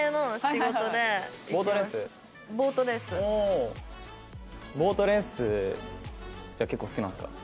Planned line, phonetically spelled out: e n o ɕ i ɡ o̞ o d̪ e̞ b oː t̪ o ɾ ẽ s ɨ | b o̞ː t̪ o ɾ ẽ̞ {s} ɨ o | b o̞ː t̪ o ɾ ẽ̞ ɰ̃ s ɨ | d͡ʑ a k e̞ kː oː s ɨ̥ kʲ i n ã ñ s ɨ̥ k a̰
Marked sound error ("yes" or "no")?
no